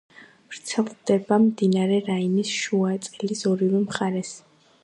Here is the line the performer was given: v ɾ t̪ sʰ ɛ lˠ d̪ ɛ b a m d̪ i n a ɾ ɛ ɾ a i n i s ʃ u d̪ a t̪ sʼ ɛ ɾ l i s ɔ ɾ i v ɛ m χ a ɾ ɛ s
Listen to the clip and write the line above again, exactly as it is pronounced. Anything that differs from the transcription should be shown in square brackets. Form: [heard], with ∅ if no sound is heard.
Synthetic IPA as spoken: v ɾ t̪ sʰ ɛ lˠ d̪ ɛ b a m d̪ i n a ɾ ɛ ɾ a i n i s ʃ u [∅] a t̪ sʼ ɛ [∅] l i s ɔ ɾ i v ɛ m χ a ɾ ɛ s